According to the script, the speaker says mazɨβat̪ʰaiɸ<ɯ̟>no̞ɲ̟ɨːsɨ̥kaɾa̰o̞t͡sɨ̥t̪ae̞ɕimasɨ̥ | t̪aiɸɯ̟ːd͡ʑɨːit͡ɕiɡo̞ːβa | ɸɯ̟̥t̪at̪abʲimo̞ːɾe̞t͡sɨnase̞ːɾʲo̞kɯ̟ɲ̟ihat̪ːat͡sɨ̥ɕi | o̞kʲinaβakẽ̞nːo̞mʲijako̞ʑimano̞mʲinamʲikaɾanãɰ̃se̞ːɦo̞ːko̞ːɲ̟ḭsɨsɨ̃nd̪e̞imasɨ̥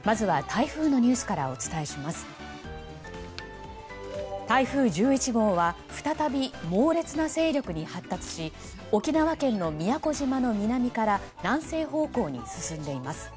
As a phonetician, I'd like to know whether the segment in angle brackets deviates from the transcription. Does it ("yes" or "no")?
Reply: yes